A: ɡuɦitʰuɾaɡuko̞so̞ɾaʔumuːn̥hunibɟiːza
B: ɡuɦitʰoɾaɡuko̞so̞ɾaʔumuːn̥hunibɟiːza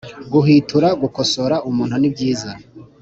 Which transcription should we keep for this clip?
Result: A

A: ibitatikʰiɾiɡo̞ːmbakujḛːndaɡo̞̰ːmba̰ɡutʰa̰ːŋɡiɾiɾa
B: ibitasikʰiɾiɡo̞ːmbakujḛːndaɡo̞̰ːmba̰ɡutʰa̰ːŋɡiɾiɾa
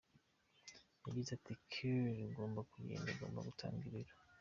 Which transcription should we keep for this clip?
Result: A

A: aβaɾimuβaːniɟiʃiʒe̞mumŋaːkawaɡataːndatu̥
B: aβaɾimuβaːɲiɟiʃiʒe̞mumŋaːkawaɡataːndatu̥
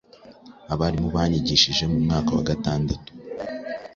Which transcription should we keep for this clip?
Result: B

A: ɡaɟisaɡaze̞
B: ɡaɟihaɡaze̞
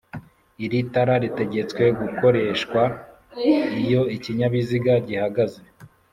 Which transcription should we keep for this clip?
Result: B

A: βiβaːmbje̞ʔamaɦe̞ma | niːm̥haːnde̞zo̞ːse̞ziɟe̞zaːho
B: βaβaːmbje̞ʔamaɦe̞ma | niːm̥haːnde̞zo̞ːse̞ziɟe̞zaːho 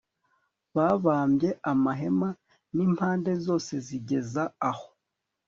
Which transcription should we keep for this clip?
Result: B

